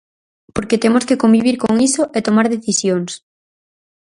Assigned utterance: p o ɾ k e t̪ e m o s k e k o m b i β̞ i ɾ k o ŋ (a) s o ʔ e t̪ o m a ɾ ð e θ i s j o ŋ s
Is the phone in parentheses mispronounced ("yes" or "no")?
yes